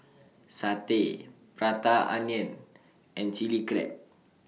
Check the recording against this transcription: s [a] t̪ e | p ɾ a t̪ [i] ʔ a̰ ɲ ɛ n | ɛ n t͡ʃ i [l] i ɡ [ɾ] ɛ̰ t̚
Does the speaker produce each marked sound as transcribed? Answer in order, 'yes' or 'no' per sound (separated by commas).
yes, no, yes, yes